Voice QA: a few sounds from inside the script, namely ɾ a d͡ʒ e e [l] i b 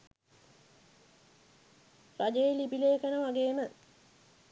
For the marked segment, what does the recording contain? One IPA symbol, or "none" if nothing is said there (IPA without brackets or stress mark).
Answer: l